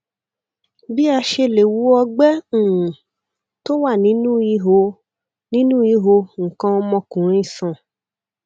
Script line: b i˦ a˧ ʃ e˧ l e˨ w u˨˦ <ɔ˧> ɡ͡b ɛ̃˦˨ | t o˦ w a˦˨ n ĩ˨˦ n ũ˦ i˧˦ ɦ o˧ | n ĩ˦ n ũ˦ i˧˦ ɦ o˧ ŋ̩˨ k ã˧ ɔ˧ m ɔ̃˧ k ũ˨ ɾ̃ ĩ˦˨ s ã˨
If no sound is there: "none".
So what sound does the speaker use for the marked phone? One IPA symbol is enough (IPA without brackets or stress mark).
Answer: ɔ˧